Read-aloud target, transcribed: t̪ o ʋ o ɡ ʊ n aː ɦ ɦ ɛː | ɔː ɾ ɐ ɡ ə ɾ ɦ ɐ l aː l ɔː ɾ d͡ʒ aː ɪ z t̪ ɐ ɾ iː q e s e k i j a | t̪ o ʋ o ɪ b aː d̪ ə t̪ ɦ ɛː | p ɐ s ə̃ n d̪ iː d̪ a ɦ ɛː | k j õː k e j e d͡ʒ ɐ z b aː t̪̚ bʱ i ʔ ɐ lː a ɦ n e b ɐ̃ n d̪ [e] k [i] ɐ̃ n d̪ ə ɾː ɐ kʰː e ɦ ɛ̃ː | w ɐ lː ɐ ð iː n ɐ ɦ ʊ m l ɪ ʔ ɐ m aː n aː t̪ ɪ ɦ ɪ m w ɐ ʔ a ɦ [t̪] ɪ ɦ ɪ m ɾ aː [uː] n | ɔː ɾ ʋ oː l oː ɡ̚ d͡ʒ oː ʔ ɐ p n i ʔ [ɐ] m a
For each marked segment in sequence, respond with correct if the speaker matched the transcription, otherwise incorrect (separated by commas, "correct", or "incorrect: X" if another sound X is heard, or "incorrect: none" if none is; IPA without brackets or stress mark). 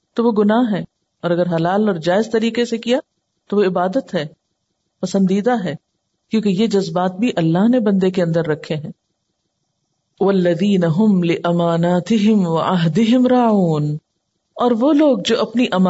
correct, incorrect: e, incorrect: d̪, correct, correct